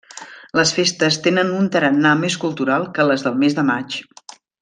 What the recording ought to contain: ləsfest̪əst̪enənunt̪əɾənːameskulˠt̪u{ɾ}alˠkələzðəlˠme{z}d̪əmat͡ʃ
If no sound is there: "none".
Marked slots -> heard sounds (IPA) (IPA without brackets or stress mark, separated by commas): ɾ, z